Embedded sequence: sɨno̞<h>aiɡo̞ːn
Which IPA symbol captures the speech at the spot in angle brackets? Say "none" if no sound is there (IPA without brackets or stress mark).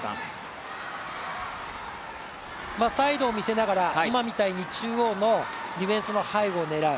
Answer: h